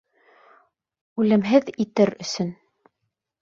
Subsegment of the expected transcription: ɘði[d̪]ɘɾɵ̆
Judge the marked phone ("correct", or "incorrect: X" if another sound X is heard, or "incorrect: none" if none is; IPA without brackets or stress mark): incorrect: t̪